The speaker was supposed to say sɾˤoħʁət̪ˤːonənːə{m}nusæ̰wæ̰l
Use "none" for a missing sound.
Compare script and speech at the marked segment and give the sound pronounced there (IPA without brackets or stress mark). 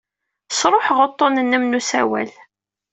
m